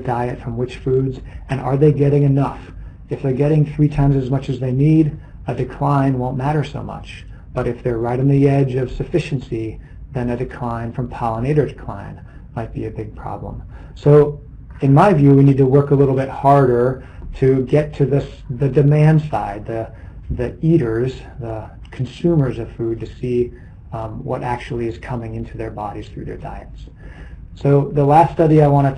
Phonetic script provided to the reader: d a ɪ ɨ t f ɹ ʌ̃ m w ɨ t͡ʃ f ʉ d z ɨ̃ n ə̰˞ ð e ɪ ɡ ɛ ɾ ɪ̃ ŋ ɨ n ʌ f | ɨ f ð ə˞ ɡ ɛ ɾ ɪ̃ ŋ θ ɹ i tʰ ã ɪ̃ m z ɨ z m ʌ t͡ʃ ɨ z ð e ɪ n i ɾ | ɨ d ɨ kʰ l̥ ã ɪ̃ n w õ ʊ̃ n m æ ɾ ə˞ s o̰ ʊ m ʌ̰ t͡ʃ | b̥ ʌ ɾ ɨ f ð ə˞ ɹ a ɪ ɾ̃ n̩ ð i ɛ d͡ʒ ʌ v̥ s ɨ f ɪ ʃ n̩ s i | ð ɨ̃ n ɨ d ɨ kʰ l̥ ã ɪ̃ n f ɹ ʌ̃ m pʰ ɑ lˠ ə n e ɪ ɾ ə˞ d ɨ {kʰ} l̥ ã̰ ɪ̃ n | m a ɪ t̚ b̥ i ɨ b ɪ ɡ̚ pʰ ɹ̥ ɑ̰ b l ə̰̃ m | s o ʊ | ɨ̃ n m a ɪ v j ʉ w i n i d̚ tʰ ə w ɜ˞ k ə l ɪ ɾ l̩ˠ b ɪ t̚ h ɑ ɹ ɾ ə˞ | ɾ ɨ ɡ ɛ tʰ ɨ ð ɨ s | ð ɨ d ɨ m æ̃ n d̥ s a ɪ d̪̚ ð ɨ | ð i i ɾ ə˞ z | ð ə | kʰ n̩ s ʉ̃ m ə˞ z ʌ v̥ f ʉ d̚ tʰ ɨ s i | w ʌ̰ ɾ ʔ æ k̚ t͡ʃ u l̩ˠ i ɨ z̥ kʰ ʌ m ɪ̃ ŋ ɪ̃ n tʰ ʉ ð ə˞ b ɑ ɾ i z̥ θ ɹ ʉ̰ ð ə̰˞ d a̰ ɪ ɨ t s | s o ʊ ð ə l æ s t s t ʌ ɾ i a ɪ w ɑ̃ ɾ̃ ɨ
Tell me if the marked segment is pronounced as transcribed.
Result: yes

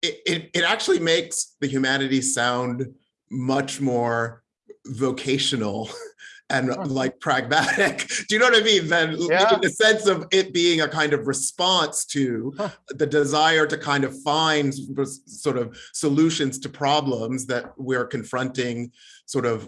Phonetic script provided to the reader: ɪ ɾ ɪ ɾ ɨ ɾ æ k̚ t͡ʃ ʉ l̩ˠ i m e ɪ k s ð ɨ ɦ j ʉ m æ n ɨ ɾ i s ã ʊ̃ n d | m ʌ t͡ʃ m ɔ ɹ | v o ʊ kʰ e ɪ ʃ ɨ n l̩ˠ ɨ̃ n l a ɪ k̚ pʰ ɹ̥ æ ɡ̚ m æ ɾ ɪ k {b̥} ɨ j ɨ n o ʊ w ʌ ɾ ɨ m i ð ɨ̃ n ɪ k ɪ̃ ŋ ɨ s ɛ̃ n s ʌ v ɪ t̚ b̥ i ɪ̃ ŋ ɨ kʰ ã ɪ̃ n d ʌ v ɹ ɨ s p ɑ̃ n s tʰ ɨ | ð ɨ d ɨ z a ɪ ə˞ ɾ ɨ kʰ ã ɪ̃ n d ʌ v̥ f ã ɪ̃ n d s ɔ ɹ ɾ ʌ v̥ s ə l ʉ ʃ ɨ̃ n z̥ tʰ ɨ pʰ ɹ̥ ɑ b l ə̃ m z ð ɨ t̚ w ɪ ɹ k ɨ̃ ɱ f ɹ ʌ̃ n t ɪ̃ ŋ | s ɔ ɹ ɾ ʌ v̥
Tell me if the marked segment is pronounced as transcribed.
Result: no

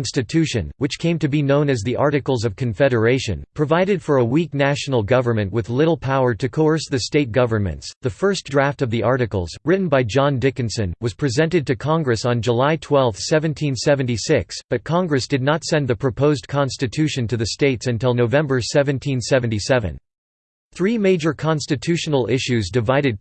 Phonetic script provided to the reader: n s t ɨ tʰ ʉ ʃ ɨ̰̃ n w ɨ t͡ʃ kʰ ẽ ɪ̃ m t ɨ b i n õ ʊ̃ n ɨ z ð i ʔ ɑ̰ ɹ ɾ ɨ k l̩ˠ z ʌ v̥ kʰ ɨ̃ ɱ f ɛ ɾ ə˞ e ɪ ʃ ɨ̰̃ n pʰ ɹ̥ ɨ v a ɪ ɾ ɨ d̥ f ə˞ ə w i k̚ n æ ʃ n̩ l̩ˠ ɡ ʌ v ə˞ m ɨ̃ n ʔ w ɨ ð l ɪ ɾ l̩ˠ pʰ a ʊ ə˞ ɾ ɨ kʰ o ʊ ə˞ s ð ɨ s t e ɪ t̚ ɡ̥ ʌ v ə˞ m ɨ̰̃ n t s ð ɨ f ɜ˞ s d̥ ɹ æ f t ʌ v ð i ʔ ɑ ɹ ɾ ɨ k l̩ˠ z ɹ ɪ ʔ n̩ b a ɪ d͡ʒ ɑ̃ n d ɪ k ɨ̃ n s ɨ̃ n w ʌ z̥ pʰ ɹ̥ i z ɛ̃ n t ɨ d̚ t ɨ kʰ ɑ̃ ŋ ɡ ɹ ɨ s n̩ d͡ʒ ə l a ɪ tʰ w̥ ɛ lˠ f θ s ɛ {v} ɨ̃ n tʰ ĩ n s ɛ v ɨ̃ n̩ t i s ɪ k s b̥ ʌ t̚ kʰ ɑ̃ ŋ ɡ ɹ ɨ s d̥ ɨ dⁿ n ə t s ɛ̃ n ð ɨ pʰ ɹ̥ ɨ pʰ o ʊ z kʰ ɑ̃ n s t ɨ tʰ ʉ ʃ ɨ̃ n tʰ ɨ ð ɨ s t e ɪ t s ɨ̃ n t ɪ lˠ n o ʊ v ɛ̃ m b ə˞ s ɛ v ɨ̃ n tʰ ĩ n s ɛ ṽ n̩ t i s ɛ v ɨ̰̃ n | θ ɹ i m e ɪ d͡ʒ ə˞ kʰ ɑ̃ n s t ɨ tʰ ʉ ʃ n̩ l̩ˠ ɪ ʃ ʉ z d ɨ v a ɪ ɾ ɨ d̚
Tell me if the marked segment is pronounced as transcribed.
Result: yes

